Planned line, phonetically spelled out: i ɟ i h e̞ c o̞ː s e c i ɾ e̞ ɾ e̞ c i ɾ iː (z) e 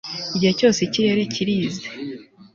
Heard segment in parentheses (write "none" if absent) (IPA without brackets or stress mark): z